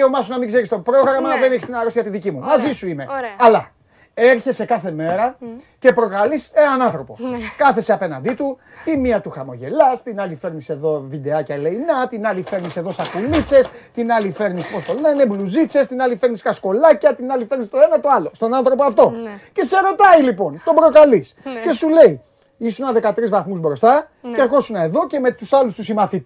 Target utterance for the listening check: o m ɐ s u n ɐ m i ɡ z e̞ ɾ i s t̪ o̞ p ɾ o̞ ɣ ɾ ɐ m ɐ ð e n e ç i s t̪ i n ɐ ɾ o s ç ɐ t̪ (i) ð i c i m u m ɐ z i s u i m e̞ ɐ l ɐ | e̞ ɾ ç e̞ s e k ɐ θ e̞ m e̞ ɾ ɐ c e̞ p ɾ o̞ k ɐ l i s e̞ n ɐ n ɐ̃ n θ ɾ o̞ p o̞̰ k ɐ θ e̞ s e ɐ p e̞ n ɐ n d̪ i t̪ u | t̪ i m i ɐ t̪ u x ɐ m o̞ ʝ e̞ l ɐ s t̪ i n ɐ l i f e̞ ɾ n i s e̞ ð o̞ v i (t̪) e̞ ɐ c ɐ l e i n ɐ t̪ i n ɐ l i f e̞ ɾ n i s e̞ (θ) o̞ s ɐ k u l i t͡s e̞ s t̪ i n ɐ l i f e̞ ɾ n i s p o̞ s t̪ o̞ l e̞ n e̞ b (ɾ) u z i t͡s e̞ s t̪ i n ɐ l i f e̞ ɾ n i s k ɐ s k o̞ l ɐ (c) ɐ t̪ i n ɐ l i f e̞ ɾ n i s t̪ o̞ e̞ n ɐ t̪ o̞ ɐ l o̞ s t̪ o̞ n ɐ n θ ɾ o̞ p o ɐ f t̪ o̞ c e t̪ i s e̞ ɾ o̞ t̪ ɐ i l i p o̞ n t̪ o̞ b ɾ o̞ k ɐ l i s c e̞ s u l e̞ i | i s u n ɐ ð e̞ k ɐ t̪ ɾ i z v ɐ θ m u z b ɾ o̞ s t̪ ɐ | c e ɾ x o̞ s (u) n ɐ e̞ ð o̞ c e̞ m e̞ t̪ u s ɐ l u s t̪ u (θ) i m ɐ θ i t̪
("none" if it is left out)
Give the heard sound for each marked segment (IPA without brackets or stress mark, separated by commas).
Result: i, d̪, ð, l, c, u, s